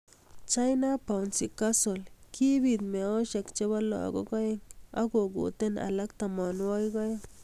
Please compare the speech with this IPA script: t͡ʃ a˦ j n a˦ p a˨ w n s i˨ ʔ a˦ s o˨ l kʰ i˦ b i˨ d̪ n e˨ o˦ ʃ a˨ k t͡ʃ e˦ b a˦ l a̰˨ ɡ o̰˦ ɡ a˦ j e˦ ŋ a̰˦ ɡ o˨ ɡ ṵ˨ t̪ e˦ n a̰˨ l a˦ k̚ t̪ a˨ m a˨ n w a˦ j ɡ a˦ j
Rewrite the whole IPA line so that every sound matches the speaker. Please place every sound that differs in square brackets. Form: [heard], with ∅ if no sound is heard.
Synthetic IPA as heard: t͡ʃ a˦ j n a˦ p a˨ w n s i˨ [k] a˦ s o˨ l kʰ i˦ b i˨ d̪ [m] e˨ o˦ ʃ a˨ k t͡ʃ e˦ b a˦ l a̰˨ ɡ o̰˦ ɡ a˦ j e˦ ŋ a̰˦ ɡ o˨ ɡ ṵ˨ t̪ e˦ n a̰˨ l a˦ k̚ t̪ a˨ m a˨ n w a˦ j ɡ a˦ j

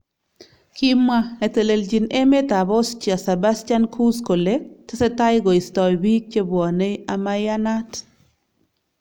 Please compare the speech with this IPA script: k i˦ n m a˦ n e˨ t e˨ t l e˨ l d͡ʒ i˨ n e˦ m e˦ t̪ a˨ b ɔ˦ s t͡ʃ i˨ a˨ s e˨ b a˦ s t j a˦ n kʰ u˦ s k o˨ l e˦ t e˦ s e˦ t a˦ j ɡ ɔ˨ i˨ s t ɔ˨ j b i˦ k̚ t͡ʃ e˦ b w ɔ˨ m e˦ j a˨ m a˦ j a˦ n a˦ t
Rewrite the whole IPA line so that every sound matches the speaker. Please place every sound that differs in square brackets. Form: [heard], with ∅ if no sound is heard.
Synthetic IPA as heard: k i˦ [∅] m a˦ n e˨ t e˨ [∅] l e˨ l d͡ʒ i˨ n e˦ m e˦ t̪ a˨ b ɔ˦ s t͡ʃ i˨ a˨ s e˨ b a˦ s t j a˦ n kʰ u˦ s k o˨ l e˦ t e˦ s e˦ t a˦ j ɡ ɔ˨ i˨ s t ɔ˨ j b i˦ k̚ t͡ʃ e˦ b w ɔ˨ [n] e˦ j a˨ m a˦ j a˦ n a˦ t

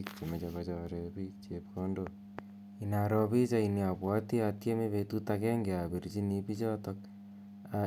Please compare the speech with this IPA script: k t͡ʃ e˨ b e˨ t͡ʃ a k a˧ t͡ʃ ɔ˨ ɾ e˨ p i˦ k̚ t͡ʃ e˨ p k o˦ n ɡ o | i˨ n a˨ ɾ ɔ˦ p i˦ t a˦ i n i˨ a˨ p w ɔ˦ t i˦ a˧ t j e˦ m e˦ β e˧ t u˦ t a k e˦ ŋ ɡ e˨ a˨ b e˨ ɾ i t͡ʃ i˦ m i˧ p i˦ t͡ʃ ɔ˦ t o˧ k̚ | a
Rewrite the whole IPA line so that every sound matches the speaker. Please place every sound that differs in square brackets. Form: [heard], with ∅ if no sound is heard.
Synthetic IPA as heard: k t͡ʃ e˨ [m] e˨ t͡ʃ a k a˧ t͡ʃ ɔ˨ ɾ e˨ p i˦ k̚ t͡ʃ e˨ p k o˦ n [d] o | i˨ n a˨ ɾ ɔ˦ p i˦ [t͡ʃ] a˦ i n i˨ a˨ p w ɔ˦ t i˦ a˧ t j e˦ m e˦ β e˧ t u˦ t a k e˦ ŋ ɡ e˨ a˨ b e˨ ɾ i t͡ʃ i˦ [n] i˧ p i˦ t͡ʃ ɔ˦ t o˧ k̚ | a

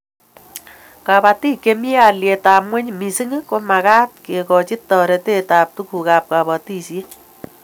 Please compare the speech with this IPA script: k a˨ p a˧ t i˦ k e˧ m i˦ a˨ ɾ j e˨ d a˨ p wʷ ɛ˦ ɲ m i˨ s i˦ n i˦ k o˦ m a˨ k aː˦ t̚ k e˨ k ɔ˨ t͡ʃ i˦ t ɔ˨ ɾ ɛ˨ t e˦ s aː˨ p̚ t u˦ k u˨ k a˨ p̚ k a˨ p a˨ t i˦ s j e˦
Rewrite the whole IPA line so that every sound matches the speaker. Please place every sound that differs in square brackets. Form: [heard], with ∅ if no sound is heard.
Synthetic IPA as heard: k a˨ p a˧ t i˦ k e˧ m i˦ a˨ [l] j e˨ [t] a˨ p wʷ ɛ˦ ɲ m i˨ s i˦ [ŋ] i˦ k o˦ m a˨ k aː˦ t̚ k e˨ k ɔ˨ t͡ʃ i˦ t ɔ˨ ɾ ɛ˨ t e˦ [t] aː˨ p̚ t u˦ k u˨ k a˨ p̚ k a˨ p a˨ t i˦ s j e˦

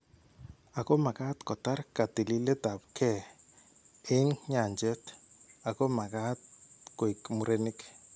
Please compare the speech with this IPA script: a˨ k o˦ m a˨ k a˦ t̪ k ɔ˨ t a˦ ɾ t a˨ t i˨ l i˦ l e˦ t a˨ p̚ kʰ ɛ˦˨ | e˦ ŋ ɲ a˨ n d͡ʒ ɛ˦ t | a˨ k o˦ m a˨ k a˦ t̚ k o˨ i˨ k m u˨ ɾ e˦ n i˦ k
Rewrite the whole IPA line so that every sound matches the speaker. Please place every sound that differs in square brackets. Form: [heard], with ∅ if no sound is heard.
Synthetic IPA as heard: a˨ k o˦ m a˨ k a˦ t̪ k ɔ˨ t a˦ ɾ [k] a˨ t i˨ l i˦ l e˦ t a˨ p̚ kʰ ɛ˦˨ | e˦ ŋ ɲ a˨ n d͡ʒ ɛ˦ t | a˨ k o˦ m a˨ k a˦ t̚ k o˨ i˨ k m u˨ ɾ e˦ n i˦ k

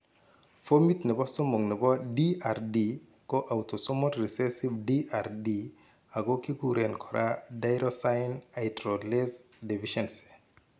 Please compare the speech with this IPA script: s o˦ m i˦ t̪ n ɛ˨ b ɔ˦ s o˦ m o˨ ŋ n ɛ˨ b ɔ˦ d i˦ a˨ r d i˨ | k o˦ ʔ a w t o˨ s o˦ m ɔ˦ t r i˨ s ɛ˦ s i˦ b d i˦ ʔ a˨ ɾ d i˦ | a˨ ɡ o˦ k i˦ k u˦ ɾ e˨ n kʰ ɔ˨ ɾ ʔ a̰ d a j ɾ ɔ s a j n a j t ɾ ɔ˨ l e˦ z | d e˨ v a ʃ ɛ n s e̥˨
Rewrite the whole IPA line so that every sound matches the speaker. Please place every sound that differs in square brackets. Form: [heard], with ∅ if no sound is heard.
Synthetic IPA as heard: [f] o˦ m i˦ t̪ n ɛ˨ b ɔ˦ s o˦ m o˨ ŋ n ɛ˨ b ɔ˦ d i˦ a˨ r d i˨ | k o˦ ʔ a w t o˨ s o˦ m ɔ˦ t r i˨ s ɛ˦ s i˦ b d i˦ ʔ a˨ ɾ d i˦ | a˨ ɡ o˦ k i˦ k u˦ ɾ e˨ n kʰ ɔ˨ ɾ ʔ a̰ d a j ɾ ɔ s a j n a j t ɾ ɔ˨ l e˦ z | d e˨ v [i] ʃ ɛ n s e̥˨

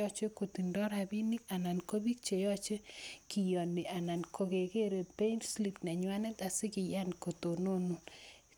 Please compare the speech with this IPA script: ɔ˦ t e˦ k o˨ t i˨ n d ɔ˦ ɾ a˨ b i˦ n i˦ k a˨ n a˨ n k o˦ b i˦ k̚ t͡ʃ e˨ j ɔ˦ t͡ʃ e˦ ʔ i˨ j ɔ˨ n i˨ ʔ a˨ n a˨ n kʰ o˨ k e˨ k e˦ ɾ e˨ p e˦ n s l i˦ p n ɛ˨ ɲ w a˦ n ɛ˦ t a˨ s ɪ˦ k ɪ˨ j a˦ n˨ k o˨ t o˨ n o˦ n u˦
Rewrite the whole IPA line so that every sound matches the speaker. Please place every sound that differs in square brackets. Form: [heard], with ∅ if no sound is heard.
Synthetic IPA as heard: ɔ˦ [t͡ʃ] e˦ k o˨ t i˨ n d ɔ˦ ɾ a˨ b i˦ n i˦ k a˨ n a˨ n k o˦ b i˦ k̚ t͡ʃ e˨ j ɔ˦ t͡ʃ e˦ [k] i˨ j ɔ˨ n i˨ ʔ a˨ n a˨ n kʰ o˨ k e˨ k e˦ ɾ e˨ p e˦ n s l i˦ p n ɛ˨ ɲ w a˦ n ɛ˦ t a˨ s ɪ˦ k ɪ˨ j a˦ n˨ k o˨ t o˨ n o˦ n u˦

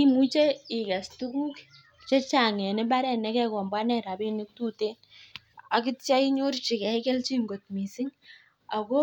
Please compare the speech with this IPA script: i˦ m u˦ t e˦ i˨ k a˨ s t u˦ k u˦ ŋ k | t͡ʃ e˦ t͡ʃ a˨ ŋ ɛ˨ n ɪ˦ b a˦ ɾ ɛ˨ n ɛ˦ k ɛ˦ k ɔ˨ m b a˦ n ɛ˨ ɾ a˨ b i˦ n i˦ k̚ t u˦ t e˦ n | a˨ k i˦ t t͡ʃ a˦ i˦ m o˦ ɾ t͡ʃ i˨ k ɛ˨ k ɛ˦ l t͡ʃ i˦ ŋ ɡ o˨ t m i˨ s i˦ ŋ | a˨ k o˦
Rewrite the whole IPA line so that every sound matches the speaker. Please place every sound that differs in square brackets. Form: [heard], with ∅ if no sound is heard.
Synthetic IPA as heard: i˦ m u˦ [t͡ʃ] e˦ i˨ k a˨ s t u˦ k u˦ [∅] k | t͡ʃ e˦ t͡ʃ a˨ ŋ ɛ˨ n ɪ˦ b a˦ ɾ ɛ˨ n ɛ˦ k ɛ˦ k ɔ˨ m b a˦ n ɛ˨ ɾ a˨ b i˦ n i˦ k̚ t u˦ t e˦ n | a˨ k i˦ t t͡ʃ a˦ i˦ [ɲ] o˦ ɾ t͡ʃ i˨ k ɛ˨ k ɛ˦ l t͡ʃ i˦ ŋ ɡ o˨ t m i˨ s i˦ ŋ | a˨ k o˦

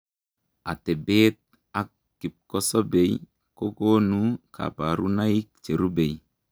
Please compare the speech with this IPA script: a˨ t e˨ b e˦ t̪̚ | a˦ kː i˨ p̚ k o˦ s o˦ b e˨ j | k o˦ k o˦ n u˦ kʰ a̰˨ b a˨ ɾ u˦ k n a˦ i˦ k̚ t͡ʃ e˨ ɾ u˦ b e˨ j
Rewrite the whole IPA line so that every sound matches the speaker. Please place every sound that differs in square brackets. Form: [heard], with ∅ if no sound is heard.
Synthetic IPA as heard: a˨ t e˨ b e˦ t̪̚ | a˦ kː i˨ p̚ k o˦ s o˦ b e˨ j | k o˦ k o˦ n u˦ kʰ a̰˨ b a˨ ɾ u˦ [∅] n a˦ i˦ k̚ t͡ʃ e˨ ɾ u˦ b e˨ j

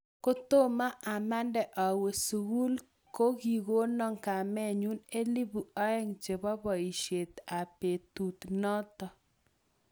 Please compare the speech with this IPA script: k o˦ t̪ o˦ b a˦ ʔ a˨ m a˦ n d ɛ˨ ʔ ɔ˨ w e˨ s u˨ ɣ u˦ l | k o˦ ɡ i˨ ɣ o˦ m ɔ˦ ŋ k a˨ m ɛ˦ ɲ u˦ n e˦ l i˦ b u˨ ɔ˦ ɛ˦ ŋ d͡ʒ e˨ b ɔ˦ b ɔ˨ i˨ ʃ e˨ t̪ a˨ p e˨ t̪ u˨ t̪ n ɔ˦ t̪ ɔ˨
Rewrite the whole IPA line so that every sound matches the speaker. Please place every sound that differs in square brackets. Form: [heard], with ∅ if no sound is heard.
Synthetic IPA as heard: k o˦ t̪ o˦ [m] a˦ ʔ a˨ m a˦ n d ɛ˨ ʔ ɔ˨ w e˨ s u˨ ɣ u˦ l | k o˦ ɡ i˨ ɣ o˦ [n] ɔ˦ ŋ k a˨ m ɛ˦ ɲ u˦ n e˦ l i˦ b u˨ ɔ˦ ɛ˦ ŋ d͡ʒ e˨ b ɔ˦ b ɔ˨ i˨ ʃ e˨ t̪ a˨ p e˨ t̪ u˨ t̪ n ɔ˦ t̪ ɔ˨

